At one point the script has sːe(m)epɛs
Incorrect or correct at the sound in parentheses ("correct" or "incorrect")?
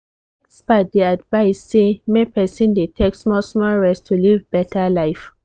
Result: correct